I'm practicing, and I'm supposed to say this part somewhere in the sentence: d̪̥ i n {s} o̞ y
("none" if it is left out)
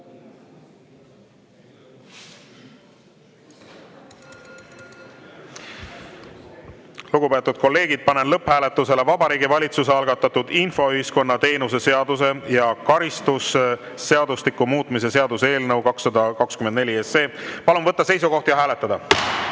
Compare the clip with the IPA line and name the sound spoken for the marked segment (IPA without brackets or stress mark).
f